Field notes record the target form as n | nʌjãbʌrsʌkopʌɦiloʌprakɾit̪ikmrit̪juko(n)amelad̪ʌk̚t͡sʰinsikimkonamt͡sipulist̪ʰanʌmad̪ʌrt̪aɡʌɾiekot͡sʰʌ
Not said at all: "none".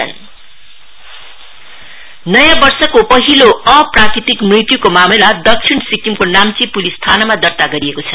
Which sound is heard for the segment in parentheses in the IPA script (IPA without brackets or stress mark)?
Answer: m